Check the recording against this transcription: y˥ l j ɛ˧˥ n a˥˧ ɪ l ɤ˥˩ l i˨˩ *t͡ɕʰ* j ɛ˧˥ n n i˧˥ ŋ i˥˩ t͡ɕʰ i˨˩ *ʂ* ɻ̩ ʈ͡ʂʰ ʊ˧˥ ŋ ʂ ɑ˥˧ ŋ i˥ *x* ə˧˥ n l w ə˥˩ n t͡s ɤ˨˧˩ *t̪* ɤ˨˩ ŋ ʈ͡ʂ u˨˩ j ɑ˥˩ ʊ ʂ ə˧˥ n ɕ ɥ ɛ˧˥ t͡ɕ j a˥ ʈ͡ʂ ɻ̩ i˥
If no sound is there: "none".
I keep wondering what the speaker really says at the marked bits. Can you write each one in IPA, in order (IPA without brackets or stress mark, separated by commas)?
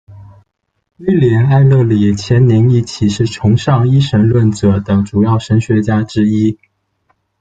t͡ɕʰ, ʂ, ʂ, t̪